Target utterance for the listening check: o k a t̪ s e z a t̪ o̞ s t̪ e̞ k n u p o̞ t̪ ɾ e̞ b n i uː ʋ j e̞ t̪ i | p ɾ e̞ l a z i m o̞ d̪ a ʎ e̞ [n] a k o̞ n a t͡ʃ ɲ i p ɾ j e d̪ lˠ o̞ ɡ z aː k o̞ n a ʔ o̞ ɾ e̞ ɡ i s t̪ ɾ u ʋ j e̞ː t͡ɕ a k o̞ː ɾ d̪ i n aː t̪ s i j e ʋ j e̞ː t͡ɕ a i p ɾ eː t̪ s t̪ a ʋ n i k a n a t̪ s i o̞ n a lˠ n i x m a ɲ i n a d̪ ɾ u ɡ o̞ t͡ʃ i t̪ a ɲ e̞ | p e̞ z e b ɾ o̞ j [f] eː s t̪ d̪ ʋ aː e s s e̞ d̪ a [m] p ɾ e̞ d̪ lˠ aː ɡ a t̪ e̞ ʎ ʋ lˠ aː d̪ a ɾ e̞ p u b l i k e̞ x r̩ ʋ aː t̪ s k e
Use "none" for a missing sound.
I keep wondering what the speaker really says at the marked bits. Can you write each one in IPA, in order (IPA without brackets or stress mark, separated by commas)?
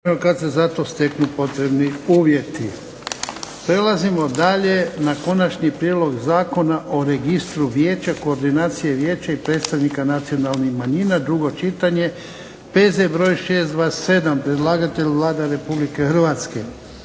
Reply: n, ʃ, m